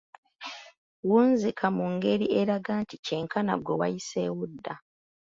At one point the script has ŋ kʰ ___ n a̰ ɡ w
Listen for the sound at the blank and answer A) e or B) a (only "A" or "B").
B